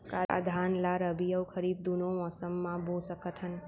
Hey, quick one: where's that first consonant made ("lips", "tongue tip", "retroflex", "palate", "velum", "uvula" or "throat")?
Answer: velum